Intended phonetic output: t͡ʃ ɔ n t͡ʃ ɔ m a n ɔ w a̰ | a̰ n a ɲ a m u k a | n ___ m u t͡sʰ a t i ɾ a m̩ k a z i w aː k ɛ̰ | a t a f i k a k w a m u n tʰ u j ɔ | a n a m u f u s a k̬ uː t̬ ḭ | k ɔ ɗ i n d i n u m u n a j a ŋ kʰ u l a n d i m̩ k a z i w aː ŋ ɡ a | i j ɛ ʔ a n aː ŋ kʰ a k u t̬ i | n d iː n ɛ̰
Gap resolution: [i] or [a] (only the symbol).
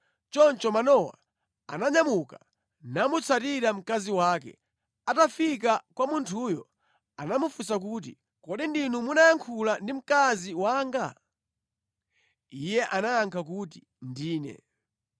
a